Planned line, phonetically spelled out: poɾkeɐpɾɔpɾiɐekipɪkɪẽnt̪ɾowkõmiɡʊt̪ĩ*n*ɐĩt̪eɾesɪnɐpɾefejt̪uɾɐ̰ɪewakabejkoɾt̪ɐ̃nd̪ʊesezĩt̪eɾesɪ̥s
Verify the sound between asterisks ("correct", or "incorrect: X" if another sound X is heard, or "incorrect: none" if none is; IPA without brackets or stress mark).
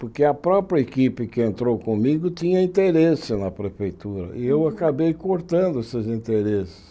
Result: incorrect: ɲ